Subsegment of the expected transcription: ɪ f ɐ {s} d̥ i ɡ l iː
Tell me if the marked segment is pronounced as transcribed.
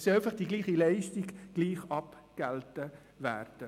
no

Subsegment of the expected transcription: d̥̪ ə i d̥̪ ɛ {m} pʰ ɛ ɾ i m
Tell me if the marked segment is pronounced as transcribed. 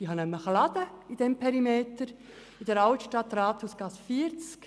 yes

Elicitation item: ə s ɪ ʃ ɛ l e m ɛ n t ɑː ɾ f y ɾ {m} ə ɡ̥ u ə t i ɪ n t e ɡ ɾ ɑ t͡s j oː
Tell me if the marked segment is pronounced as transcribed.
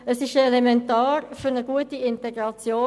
no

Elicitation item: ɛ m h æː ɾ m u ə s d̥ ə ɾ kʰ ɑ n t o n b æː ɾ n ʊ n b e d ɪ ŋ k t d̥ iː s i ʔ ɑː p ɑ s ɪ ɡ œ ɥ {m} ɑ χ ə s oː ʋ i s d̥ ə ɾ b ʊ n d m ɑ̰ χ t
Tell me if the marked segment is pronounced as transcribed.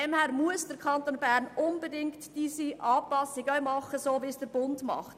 yes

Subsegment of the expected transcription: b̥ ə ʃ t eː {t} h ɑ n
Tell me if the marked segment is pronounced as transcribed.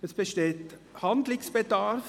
yes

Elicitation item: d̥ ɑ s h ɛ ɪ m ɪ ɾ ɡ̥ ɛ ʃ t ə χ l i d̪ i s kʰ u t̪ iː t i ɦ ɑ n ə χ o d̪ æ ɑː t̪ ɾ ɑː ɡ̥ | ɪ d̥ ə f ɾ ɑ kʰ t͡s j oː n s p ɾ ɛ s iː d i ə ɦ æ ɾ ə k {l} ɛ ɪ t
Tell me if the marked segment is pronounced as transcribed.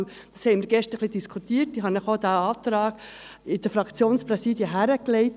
yes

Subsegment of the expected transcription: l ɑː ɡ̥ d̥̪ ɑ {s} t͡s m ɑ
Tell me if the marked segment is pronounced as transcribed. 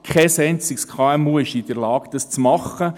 yes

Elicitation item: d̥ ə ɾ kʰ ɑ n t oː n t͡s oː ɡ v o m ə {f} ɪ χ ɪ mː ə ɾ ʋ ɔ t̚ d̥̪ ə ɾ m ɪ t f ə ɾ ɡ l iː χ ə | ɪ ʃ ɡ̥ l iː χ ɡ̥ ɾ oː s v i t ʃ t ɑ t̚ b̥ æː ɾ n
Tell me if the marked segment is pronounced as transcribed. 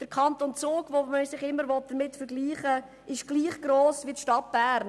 no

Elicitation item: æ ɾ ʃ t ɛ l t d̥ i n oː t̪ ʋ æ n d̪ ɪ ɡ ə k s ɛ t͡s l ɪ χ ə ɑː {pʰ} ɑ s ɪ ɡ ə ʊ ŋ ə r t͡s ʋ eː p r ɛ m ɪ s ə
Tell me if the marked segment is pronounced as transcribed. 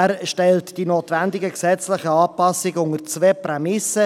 no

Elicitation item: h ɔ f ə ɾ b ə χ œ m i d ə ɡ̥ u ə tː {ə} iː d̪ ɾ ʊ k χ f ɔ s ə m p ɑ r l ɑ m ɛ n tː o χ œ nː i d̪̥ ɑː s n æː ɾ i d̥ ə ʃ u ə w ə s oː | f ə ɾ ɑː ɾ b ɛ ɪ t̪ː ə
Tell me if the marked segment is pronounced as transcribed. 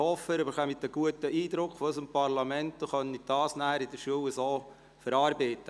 yes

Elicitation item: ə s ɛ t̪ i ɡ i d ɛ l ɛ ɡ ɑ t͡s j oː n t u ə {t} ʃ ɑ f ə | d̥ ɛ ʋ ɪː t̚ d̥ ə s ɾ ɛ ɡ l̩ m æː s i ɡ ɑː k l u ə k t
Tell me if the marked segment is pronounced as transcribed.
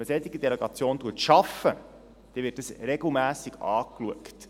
yes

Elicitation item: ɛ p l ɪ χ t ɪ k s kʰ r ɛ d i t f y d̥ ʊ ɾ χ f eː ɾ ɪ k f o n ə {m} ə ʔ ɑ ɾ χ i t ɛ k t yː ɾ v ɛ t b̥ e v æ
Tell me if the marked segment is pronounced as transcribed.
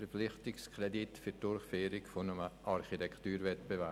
yes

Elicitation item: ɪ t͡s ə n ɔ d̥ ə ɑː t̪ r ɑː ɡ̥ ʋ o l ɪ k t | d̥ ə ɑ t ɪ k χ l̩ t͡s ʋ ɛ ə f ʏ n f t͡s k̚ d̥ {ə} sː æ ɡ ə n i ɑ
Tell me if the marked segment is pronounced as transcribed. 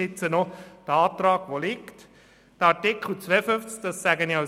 no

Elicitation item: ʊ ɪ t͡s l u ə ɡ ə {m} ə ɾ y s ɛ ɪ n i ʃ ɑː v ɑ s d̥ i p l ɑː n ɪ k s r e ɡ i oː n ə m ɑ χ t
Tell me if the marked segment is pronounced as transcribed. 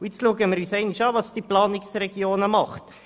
yes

